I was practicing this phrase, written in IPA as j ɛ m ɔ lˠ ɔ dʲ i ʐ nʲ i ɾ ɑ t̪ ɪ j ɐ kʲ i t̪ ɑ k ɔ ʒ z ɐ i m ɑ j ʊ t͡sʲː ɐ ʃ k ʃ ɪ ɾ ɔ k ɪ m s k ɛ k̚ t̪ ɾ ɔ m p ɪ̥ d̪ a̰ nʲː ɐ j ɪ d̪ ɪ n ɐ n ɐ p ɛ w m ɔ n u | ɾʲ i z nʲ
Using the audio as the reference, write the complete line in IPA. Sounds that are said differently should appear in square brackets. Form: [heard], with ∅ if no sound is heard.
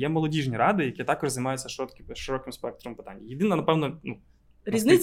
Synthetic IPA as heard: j ɛ m ɔ lˠ ɔ dʲ i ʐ nʲ i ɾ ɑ [d̪] ɪ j ɐ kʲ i t̪ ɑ k ɔ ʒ z ɐ [j] m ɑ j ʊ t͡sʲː ɐ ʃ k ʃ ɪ ɾ ɔ k ɪ m s [p] ɛ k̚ t̪ ɾ ɔ m p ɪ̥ [t̪] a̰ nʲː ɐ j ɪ d̪ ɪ n ɐ n ɐ p ɛ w [n] ɔ n u | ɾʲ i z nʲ